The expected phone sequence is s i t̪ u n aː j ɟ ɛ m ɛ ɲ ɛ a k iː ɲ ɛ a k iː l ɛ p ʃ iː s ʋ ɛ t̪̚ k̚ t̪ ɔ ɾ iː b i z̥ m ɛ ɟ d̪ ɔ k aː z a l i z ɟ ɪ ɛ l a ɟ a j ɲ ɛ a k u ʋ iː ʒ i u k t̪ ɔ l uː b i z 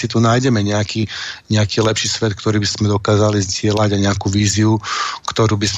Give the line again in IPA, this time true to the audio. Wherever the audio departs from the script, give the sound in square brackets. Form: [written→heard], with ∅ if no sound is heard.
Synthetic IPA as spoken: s i t̪ u n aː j ɟ ɛ m ɛ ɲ ɛ a k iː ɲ ɛ a k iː l ɛ p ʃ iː s ʋ ɛ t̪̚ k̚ t̪ ɔ ɾ iː b i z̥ m ɛ [ɟ→∅] d̪ ɔ k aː z a l i z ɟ ɪ ɛ l a ɟ a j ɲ ɛ a k u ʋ iː [ʒ→z] i u k t̪ ɔ [l→ɾ] uː b i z